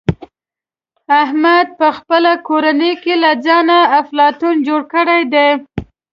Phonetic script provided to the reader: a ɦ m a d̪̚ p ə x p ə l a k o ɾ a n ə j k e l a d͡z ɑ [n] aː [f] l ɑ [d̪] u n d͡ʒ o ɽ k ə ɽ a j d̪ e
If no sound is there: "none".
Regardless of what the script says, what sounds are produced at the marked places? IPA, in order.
n, f, t̪

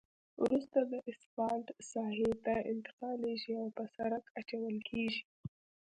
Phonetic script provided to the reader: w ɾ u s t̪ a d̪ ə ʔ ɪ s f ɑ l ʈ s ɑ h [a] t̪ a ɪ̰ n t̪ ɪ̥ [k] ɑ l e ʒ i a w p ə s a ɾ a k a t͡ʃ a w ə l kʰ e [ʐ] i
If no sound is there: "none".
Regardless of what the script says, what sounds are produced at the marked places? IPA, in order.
e, q, ʒ

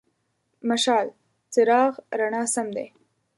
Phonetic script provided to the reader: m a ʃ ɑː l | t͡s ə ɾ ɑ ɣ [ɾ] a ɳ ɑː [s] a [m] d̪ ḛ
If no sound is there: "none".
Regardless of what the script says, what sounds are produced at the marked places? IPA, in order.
ɾ, s, m

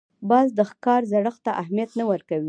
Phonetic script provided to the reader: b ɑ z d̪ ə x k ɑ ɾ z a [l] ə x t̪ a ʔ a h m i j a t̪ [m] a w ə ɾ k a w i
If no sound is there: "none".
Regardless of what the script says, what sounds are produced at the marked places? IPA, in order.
ɽ, n

